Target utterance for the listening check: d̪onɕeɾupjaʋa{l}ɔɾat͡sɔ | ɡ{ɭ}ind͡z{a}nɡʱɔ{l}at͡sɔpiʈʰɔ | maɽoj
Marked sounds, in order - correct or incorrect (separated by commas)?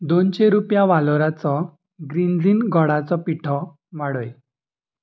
correct, incorrect, incorrect, incorrect